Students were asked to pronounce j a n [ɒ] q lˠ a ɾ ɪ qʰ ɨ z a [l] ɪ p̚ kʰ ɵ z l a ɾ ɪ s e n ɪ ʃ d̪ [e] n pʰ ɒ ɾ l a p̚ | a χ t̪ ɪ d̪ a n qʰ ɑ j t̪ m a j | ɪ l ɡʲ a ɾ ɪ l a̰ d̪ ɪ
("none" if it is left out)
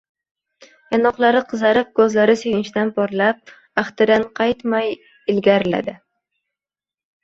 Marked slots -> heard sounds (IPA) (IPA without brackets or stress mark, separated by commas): ɒ, ɾ, a